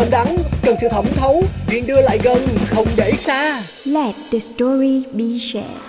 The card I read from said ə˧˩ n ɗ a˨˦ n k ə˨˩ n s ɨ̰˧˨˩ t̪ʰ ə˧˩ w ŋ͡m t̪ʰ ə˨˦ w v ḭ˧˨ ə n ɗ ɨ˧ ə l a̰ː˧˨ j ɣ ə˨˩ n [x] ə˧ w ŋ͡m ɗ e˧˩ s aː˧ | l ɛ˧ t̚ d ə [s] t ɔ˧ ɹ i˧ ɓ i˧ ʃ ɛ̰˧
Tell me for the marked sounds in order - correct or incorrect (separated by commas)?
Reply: correct, correct